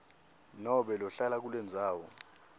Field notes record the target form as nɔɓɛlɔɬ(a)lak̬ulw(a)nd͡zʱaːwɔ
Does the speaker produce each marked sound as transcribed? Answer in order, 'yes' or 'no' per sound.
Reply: yes, no

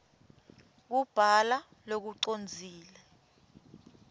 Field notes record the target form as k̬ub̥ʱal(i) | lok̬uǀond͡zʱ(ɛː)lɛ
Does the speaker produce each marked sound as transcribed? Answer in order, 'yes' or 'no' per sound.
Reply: no, no

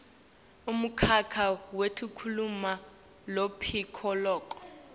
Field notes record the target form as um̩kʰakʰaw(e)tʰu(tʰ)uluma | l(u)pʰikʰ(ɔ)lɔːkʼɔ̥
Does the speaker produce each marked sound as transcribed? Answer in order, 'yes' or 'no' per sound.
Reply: yes, no, no, yes

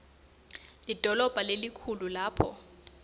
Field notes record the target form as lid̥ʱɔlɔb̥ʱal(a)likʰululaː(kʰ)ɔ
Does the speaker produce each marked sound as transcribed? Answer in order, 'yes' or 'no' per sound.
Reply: no, no

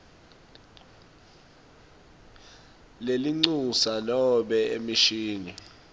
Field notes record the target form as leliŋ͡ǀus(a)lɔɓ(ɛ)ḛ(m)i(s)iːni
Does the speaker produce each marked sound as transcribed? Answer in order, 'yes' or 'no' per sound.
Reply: yes, yes, yes, no

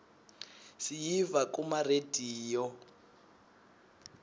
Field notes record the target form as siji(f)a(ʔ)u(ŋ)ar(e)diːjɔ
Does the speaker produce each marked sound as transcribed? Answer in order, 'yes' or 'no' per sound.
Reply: no, no, no, yes

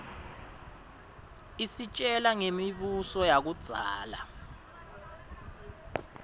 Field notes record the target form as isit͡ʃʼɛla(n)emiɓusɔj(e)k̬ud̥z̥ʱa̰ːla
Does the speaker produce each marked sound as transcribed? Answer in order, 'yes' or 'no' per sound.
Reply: no, no

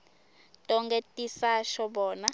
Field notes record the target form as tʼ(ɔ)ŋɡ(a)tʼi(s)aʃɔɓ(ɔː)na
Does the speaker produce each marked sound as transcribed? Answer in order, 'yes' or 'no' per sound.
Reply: yes, no, yes, yes

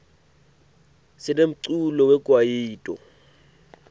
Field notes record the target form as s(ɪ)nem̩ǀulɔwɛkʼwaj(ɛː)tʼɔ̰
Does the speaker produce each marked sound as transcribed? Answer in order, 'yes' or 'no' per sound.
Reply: yes, no

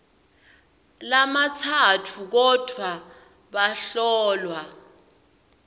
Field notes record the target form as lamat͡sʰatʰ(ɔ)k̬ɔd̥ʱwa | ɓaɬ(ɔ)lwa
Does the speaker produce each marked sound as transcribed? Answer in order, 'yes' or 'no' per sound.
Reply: no, no

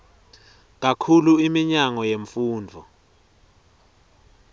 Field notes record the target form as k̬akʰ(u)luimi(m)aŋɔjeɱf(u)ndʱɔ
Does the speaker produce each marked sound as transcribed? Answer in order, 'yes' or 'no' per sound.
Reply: yes, no, no

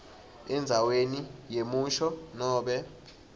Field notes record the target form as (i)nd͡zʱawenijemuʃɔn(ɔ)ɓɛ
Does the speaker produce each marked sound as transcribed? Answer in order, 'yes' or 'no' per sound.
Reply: no, no

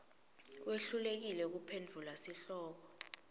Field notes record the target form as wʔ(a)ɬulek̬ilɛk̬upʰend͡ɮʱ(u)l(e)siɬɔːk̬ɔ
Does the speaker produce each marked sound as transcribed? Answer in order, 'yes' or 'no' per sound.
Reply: no, yes, no

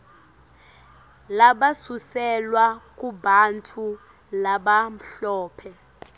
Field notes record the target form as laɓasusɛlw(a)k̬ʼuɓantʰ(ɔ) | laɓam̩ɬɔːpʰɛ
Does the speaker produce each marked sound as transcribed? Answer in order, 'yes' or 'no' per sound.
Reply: yes, no

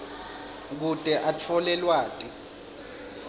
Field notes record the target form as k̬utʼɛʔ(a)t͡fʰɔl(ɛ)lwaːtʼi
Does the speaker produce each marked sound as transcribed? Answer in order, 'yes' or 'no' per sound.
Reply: yes, yes

